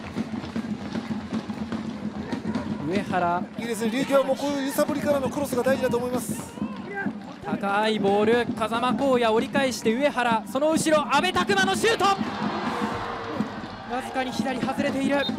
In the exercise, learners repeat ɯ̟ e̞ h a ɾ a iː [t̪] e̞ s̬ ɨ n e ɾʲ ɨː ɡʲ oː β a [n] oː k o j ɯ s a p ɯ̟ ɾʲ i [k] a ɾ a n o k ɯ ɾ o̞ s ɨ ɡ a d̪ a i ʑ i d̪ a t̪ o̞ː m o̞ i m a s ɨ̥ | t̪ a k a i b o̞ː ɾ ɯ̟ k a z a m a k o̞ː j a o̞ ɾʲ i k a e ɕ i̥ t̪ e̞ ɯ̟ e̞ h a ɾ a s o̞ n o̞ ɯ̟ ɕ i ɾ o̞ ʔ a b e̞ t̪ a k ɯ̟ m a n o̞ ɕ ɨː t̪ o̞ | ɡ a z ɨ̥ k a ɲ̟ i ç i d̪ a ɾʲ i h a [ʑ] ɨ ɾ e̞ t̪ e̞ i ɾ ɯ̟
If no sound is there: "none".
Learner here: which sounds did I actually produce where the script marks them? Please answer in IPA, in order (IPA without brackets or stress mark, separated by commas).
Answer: d̪, m, k, z